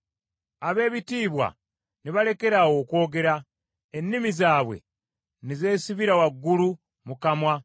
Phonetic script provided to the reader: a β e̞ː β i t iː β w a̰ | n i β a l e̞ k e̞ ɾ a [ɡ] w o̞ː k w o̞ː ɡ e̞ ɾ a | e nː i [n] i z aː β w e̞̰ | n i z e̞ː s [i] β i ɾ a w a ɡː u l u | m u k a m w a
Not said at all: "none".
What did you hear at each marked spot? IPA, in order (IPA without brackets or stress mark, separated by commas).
none, m, i